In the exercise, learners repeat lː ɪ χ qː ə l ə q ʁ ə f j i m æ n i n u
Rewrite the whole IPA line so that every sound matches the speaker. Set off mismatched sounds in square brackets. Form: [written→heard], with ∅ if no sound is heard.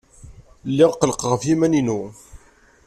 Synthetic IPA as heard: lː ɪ [χ→ʁ] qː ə l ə q ʁ ə f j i m æ n i n u